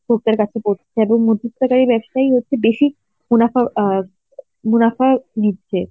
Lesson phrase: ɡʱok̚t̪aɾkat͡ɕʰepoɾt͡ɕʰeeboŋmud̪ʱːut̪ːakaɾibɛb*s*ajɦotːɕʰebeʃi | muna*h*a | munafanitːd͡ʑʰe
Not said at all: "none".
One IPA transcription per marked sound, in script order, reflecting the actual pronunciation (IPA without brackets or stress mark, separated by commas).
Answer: ʃ, f